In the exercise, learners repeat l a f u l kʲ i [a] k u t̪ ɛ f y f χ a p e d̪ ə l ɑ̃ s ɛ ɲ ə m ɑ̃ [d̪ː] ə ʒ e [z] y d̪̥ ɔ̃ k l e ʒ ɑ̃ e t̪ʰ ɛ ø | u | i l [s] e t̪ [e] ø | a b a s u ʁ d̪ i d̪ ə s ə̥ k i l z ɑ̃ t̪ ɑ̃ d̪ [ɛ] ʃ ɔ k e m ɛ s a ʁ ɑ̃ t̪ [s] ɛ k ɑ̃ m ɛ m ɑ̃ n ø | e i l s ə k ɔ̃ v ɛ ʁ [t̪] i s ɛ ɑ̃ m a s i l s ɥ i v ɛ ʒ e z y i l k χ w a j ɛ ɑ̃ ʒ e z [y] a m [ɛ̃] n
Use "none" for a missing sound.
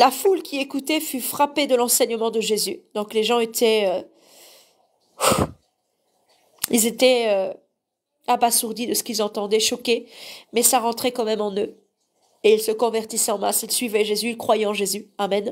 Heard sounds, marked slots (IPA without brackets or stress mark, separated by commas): e, d̪, z, z, ɛ, ɛ, χ, t̪, y, ɛ